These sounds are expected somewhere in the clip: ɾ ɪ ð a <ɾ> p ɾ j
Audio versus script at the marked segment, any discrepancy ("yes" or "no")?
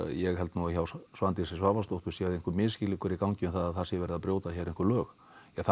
yes